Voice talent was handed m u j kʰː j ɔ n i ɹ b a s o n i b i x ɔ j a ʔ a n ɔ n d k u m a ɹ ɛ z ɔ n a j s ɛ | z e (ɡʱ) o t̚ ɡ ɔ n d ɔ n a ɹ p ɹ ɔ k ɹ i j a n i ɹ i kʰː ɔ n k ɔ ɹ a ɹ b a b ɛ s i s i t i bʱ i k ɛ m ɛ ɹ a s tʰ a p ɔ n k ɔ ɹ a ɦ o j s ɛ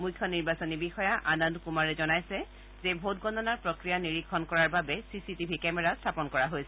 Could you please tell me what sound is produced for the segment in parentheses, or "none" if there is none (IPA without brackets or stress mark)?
bʱ